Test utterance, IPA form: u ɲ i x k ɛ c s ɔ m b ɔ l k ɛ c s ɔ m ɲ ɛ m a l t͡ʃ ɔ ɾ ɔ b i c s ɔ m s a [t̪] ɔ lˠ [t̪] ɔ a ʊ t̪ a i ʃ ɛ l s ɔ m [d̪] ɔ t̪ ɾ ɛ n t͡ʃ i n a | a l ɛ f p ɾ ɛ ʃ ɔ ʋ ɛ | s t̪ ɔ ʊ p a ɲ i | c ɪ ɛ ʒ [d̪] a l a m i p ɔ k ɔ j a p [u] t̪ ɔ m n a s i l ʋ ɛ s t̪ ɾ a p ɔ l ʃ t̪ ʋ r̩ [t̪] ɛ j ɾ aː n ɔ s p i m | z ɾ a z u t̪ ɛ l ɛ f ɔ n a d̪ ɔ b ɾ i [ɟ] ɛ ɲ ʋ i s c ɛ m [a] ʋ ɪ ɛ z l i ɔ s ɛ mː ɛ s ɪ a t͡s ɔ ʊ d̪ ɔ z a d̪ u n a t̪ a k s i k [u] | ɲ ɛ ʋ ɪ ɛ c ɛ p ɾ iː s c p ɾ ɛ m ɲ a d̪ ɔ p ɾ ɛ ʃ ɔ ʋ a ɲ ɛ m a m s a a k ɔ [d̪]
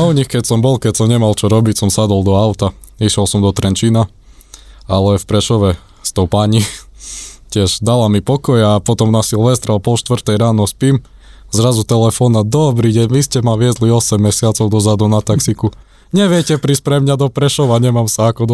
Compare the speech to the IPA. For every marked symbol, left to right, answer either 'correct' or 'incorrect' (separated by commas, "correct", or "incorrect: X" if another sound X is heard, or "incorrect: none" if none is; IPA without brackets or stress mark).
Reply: incorrect: d̪, incorrect: d̪, correct, correct, incorrect: ɔ, correct, correct, correct, correct, correct